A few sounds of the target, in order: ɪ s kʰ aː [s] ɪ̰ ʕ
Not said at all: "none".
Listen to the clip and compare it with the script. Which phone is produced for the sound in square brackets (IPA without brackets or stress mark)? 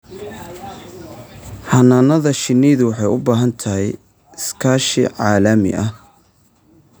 ʃ